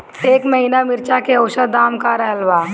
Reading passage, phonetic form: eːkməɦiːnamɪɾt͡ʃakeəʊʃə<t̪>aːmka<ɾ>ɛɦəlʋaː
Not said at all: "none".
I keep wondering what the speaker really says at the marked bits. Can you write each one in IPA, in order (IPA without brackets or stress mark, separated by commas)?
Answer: d̪, ɾ